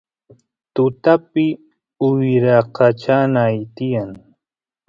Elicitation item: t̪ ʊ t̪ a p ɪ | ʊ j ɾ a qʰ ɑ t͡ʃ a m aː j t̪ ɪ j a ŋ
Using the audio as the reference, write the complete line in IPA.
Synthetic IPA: t̪ ʊ t̪ a p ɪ | ʊ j ɾ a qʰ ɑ t͡ʃ a n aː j t̪ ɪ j a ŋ